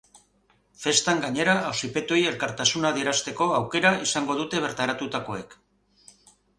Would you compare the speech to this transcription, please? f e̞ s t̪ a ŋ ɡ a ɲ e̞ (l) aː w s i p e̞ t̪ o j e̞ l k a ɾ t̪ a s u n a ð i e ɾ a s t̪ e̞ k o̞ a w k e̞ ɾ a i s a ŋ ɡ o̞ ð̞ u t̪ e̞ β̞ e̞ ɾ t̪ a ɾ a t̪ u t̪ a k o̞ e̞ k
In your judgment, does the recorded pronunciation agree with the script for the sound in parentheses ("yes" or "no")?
no